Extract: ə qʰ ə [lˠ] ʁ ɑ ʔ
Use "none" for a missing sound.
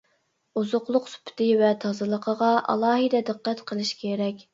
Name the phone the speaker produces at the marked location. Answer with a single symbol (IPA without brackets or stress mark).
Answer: none